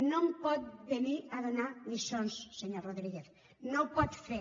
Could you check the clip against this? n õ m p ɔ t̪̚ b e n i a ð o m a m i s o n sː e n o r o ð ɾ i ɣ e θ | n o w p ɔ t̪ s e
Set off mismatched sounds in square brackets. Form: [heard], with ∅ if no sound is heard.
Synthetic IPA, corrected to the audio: n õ m p ɔ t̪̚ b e n i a ð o [n] a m i s o n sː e [ɲ] o r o ð ɾ i ɣ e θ | n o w p ɔ t̪ [f] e